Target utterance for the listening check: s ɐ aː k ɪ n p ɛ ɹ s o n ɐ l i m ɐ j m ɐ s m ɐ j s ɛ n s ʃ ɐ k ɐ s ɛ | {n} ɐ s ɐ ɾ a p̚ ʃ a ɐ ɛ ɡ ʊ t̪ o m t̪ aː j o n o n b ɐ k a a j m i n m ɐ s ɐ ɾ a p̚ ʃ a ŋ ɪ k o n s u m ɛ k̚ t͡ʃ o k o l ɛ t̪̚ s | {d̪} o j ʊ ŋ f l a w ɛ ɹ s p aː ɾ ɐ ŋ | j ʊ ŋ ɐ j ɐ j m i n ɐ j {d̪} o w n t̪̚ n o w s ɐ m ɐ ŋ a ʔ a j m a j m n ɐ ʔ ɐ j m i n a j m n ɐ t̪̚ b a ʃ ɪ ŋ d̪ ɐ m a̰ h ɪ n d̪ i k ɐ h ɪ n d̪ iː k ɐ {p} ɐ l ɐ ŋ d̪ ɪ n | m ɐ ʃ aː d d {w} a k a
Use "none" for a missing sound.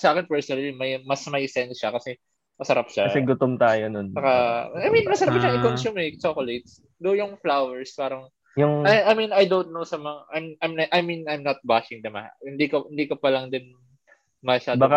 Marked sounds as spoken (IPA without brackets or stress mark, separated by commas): m, d̪, d̪, p, b